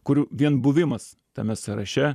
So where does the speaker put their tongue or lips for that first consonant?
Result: velum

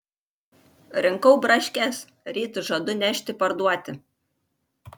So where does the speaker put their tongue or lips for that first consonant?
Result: tongue tip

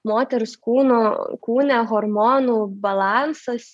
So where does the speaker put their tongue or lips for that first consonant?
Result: lips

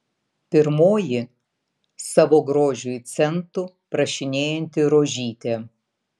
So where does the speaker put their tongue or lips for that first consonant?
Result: lips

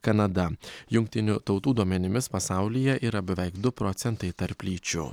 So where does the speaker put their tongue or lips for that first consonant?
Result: velum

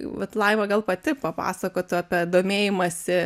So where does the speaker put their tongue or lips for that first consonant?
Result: lips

